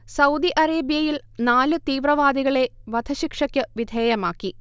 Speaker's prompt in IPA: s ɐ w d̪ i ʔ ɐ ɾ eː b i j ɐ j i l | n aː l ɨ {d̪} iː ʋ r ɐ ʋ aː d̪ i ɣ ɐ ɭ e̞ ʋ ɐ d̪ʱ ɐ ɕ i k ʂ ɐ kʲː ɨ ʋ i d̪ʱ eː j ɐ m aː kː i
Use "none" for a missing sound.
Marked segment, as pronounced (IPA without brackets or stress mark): t̪